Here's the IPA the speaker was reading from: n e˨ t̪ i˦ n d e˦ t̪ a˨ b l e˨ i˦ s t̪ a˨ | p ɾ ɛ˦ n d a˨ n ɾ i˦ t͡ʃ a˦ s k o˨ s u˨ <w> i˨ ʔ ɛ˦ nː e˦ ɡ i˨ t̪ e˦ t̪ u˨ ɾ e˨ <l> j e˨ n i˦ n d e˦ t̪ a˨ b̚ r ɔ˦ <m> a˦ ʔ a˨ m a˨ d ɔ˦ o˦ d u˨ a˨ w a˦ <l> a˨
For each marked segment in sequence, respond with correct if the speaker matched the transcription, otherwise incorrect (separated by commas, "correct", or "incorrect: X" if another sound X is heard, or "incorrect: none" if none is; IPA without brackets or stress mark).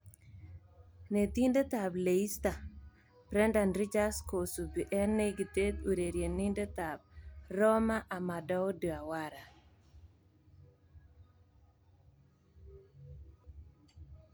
incorrect: b, incorrect: ɾ, correct, incorrect: ɾ